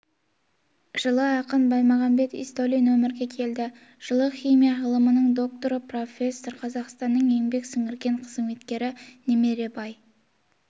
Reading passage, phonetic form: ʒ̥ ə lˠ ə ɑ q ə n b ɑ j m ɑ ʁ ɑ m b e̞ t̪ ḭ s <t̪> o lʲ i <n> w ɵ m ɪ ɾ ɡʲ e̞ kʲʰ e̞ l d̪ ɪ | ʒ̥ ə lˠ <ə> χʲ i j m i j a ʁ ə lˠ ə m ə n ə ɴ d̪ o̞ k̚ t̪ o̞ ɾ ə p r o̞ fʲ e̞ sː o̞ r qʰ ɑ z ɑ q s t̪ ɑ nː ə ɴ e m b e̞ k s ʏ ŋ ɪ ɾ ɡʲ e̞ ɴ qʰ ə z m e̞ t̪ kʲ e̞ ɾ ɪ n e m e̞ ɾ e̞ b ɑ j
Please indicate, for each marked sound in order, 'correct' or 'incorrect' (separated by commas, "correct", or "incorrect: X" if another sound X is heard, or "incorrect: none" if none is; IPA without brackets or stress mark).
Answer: correct, correct, correct